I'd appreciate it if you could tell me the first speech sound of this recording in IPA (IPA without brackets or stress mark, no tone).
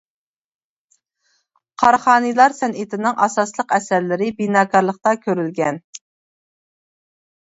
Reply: qʰ